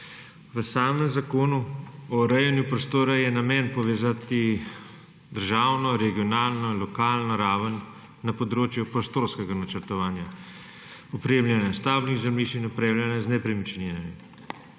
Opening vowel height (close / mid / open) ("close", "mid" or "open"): mid